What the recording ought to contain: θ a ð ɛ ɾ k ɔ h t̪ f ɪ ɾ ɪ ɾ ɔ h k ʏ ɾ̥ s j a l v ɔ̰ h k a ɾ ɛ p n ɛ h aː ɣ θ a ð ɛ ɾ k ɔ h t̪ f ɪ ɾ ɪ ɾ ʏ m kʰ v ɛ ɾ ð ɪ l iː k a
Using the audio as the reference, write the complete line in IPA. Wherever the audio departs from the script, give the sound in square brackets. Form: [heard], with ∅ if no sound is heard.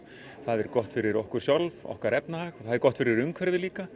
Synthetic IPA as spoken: θ a ð ɛ ɾ k ɔ h t̪ f ɪ ɾ ɪ ɾ ɔ h k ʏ ɾ̥ s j a l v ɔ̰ h k a ɾ ɛ p n [a] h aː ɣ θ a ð ɛ ɾ k ɔ h t̪ f ɪ ɾ ɪ ɾ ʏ [ŋ] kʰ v ɛ ɾ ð ɪ l iː k a